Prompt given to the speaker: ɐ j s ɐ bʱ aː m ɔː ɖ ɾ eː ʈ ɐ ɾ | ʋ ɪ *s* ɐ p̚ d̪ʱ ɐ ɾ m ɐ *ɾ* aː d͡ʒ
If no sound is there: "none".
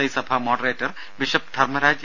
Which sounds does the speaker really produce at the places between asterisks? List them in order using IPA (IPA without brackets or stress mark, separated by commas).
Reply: ʃ, ɾ